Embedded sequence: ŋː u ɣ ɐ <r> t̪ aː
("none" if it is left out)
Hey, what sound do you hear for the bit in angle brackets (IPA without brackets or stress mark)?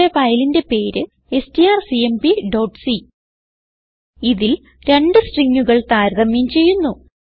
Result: ɭ